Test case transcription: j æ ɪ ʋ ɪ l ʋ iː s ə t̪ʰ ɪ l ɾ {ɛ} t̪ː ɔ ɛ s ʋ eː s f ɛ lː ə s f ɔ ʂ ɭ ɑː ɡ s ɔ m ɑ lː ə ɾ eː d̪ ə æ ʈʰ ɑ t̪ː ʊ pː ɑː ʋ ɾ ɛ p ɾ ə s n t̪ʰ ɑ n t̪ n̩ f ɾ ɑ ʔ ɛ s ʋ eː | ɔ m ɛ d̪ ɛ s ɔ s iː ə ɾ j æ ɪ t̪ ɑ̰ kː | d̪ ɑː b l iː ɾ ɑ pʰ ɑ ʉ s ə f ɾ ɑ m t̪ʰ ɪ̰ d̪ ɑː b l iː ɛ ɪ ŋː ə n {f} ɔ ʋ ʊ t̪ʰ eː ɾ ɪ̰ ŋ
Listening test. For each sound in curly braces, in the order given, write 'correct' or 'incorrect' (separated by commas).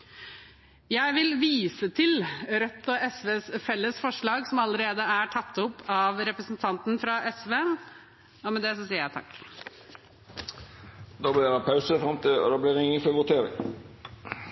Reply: incorrect, correct